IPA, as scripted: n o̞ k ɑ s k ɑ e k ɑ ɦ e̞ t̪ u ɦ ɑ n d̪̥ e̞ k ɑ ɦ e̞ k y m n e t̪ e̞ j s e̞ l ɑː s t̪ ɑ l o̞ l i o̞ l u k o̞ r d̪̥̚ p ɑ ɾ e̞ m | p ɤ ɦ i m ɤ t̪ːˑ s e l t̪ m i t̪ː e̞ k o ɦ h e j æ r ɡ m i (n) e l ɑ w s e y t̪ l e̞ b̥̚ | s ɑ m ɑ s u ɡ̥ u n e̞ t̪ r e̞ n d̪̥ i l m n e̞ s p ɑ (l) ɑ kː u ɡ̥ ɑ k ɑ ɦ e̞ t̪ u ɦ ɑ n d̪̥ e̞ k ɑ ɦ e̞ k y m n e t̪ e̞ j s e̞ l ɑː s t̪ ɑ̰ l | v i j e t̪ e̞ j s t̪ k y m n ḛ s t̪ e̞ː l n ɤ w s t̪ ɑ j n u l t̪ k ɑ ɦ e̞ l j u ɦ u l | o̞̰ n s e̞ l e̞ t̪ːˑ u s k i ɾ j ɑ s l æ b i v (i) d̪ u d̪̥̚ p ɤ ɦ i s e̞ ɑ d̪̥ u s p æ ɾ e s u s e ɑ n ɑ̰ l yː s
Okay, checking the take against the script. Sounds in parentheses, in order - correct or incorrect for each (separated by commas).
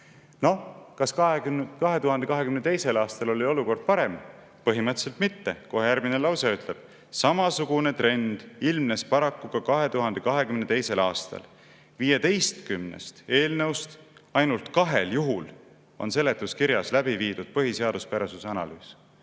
correct, incorrect, incorrect